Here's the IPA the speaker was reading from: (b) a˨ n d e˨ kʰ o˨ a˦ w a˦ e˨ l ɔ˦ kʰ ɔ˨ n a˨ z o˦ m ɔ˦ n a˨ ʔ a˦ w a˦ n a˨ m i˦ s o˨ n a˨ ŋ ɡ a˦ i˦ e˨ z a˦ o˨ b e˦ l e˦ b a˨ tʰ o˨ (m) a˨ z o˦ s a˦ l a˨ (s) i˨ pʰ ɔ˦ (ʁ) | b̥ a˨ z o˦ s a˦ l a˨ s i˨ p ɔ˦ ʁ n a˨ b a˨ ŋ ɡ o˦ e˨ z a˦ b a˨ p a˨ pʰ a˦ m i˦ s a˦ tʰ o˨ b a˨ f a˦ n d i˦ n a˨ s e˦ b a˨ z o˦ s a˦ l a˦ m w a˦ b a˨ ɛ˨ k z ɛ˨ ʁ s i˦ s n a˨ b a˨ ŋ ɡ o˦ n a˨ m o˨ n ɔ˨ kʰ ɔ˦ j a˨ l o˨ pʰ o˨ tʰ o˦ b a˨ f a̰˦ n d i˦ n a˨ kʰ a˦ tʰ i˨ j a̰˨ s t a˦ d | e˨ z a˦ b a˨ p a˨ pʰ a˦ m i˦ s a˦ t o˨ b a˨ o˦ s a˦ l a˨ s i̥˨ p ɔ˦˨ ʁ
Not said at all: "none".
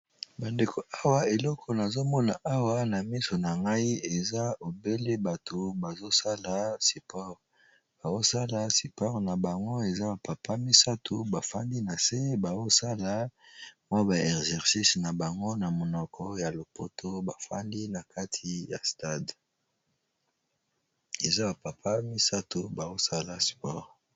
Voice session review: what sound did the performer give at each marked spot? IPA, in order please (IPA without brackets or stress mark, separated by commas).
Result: b, b, s, ʁ